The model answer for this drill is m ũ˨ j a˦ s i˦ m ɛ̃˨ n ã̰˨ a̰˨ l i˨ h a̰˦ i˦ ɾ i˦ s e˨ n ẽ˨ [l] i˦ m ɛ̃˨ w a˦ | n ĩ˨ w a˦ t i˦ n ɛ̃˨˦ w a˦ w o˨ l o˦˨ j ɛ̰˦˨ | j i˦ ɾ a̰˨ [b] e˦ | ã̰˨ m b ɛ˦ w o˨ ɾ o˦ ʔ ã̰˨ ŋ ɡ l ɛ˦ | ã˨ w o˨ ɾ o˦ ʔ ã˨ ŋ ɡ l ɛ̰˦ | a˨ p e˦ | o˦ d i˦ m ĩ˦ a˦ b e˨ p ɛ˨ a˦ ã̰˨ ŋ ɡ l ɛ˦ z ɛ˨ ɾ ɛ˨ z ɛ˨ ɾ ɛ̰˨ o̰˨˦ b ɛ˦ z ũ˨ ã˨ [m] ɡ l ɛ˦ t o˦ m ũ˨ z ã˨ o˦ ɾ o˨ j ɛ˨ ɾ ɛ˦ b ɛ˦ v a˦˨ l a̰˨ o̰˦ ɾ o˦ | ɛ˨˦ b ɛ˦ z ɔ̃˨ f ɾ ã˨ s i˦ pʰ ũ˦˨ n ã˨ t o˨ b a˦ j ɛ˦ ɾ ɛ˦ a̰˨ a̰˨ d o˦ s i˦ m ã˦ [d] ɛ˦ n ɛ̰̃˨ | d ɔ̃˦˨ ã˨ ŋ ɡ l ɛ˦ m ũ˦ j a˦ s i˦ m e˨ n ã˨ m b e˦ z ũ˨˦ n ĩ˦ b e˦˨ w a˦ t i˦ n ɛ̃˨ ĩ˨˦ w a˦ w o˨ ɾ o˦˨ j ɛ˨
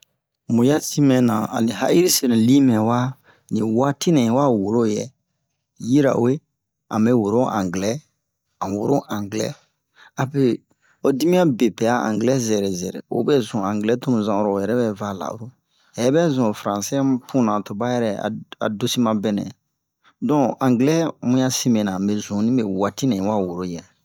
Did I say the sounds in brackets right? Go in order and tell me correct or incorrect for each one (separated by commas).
correct, incorrect, incorrect, incorrect